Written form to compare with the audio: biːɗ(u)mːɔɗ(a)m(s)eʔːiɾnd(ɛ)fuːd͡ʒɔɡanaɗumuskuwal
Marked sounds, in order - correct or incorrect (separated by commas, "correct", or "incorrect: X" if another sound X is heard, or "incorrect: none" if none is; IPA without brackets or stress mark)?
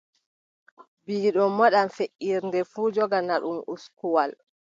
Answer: incorrect: ɔ, correct, incorrect: f, correct